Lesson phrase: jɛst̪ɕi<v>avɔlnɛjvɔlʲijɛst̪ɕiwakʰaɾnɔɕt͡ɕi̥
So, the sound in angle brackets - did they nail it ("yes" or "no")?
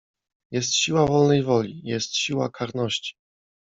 no